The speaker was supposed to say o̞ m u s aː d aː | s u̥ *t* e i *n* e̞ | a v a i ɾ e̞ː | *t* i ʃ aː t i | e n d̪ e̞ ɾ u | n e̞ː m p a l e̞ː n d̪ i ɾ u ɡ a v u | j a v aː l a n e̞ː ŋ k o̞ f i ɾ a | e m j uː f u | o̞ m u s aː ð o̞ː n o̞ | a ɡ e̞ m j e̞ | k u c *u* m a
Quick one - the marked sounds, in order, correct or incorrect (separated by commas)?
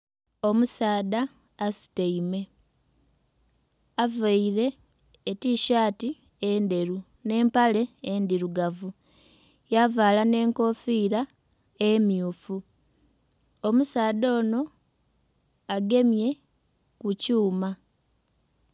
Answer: correct, incorrect, correct, incorrect